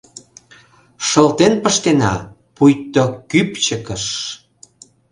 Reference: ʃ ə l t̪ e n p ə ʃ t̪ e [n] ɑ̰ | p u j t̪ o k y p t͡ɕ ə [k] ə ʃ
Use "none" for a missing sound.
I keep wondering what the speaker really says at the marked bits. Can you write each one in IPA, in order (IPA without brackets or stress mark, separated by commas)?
n, k